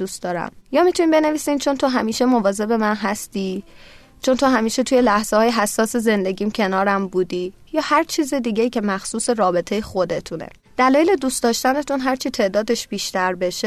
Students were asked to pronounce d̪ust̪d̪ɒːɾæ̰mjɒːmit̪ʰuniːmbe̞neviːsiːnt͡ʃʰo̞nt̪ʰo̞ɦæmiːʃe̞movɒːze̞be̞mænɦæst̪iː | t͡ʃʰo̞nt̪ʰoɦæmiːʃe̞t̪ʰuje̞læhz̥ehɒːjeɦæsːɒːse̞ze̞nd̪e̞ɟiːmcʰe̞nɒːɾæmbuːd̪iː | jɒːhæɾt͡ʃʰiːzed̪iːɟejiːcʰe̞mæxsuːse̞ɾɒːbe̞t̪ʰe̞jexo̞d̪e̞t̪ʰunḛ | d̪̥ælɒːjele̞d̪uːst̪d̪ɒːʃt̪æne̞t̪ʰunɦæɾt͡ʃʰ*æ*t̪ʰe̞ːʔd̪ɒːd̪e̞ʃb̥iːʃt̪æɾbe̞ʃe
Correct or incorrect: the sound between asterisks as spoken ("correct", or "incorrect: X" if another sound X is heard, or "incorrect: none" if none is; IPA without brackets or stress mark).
incorrect: i